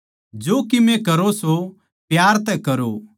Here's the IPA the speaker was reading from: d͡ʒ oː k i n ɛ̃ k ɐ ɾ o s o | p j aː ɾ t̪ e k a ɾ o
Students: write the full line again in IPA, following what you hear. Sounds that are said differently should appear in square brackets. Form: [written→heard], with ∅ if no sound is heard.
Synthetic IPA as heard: d͡ʒ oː k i [n→m] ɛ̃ k ɐ ɾ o s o | p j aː ɾ t̪ [e→ɛ] k [a→ɐ] ɾ o